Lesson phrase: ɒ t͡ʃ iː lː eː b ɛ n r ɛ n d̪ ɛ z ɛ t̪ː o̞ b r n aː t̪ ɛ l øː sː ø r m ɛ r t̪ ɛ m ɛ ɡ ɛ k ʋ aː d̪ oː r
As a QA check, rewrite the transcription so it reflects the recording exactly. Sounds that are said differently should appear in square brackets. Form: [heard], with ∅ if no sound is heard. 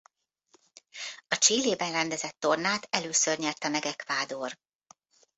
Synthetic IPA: ɒ t͡ʃ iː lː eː b ɛ n r ɛ n d̪ ɛ z ɛ t̪ː o̞ [∅] r n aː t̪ ɛ l øː [s] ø r [ɲ] ɛ r t̪ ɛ m ɛ ɡ ɛ k ʋ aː d̪ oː r